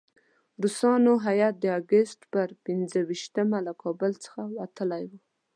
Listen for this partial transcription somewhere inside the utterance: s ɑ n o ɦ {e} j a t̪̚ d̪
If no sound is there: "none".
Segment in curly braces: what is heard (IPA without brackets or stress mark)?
a